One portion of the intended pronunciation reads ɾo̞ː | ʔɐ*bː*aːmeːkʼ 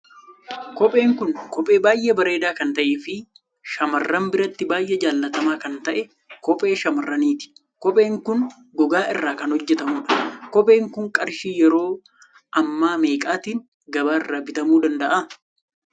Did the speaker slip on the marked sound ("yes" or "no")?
yes